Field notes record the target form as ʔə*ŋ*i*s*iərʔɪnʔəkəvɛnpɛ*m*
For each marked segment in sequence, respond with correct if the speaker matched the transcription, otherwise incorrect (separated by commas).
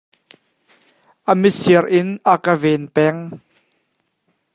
incorrect, correct, incorrect